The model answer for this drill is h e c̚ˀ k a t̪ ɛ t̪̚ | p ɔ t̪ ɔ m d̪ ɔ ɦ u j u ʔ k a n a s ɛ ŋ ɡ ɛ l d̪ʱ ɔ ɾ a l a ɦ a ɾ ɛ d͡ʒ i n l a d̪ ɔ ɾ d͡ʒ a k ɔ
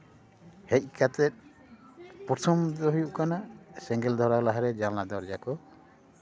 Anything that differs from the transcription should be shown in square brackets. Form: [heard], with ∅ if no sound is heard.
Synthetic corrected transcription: h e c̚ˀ k a t̪ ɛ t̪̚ | p ɔ [t̪ʰ] ɔ m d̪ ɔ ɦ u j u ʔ k a n a s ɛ ŋ ɡ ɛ l d̪ʱ ɔ ɾ a l a ɦ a ɾ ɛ d͡ʒ [a] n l a d̪ ɔ ɾ d͡ʒ a k ɔ

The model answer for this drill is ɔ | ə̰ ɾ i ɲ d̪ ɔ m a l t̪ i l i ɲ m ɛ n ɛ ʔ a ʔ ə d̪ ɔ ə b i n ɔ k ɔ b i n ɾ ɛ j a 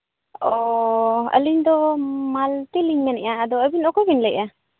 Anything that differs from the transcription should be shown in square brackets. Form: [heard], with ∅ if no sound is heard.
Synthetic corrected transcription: ɔ | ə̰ [l] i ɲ d̪ ɔ m a l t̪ i l i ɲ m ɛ n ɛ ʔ a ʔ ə d̪ ɔ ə b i n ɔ k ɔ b i n [l] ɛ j a

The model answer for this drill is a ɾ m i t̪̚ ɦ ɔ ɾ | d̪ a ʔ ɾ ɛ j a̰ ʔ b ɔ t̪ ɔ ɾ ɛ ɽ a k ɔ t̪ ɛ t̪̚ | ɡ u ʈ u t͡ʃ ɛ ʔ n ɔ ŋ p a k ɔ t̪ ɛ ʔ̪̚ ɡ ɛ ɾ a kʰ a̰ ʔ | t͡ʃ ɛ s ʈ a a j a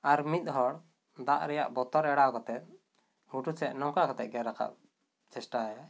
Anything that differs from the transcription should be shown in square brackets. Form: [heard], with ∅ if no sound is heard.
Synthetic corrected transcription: a ɾ m i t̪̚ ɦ ɔ [ɽ] | d̪ a ʔ ɾ ɛ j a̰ ʔ b ɔ t̪ ɔ ɾ ɛ ɽ a k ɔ t̪ ɛ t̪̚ | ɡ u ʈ u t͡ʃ ɛ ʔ n ɔ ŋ [k] a k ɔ t̪ ɛ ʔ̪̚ ɡ ɛ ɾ a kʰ a̰ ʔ | t͡ʃ ɛ s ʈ a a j a

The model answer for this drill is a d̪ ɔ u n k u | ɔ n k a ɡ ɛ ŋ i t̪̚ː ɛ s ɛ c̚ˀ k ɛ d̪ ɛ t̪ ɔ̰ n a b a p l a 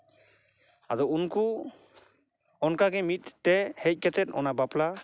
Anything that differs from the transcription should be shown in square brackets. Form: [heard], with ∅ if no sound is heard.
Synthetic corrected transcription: a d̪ ɔ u n k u | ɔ n k a ɡ ɛ [m] i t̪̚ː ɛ [h] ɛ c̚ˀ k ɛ [t̪] ɛ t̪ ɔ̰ n a b a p l a

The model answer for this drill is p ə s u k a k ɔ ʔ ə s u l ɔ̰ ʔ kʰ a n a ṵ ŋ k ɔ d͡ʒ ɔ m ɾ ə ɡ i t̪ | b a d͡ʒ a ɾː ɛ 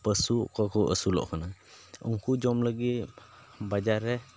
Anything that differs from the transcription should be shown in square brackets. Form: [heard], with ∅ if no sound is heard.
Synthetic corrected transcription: p ə s u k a k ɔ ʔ ə s u l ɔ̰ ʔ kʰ a n a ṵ ŋ k [u] d͡ʒ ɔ m [l] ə ɡ i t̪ | b a d͡ʒ a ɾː ɛ

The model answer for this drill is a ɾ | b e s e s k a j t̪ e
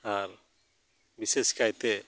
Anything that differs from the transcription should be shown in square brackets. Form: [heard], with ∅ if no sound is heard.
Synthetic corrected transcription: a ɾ | b [i] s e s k a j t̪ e

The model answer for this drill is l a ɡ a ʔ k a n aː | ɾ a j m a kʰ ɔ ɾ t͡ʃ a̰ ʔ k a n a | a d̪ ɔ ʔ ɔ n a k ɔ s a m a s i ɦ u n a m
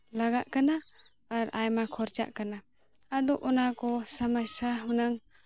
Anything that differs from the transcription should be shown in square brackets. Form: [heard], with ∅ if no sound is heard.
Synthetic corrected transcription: l a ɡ a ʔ k a n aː | ɾ a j m a kʰ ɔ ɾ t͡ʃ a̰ ʔ k a n a | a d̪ ɔ ʔ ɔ n a k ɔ s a m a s [a] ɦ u n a [ŋ]

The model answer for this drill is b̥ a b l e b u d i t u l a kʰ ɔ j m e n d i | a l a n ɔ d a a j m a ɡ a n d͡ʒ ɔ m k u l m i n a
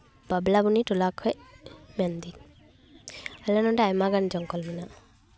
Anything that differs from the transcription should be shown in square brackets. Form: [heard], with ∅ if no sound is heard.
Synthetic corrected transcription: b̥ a b l [a] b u [n] i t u l a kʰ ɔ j m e n d i | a l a n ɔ d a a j m a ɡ a n d͡ʒ ɔ [ŋ] k [ɔ] l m i n a

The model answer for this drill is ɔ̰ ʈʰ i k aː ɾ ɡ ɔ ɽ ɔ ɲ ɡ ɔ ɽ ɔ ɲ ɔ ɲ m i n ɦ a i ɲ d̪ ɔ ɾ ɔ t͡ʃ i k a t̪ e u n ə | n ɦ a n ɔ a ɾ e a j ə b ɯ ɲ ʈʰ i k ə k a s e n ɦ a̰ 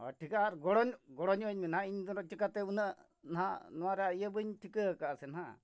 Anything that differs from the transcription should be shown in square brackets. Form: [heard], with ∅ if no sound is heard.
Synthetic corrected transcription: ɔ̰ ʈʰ i k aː ɾ ɡ ɔ ɽ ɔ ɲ ɡ ɔ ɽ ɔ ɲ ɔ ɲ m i n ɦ a i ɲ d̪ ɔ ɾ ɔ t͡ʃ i k a t̪ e u n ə | n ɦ a n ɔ a ɾ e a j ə b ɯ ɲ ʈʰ i k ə k a s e n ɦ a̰

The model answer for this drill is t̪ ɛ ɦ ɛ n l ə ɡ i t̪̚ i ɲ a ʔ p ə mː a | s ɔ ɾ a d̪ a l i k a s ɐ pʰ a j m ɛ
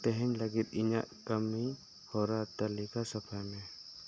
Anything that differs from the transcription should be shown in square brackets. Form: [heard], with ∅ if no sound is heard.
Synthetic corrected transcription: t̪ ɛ ɦ ɛ [ɲ] l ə ɡ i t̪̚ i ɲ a ʔ [k] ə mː [i] | [h] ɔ ɾ a [t̪] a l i k a s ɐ pʰ a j m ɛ

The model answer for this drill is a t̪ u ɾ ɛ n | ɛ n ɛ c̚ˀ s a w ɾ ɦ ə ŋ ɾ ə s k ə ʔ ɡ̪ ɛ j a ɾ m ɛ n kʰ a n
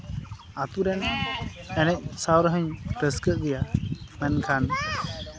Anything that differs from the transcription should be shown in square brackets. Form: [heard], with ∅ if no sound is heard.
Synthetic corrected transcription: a t̪ u ɾ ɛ n | ɛ n ɛ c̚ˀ s a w ɾ ɦ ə [ɲ] ɾ ə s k ə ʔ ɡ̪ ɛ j a [∅] m ɛ n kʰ a n

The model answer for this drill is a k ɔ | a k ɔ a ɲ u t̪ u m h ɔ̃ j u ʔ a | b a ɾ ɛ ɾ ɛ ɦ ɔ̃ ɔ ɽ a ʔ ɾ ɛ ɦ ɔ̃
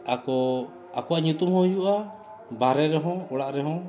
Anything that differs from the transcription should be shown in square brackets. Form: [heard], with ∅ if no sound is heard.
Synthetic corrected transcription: a k ɔ | a k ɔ a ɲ u t̪ u m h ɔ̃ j u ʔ a | b a ɾ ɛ ɾ ɛ ɦ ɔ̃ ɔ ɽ a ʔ ɾ ɛ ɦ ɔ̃

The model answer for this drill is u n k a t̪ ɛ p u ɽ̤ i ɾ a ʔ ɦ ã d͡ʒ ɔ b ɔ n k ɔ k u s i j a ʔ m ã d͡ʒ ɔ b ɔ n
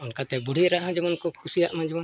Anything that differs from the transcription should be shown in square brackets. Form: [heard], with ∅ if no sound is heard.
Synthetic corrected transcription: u n k a t̪ ɛ [b] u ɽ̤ i ɾ a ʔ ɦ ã d͡ʒ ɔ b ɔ n k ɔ [kʰ] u s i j a ʔ m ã d͡ʒ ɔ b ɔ n

